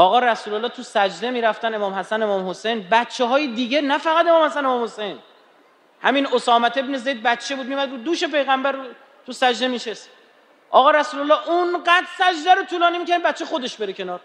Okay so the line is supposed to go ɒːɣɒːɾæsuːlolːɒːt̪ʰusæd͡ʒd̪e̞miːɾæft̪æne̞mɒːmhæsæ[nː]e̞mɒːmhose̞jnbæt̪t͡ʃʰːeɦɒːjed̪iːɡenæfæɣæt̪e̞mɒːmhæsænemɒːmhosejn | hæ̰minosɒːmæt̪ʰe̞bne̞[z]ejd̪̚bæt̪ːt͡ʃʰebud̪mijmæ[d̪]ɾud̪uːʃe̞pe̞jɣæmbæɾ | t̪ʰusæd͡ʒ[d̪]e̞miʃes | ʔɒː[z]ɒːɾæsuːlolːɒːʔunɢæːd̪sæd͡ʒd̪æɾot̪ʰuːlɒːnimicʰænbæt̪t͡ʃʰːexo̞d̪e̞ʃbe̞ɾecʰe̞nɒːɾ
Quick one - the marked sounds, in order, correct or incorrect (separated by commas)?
incorrect, correct, correct, correct, incorrect